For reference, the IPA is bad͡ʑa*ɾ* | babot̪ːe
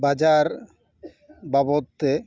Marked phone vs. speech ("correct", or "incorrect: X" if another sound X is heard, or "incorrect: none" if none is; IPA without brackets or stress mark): correct